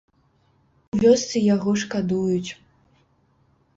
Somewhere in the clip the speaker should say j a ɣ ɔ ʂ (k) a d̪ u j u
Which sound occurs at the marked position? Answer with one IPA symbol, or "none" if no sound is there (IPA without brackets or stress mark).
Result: k